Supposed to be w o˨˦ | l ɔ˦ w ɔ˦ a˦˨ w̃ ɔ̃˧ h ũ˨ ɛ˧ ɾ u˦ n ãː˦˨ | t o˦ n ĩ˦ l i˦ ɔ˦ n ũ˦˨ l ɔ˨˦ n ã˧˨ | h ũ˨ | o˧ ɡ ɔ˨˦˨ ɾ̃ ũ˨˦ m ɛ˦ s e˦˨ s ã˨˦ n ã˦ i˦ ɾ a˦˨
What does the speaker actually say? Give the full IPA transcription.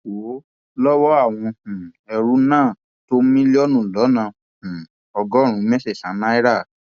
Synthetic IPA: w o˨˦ | l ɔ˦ w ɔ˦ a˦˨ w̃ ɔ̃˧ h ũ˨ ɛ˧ ɾ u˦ n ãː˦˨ | t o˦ m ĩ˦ l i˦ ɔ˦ n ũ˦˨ l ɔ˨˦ n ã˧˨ | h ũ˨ | ɔ˧ ɡ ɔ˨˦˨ ɾ̃ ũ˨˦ m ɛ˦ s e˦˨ s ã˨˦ n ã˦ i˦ ɾ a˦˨